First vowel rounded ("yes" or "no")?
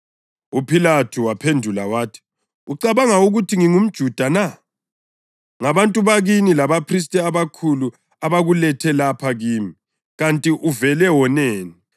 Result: yes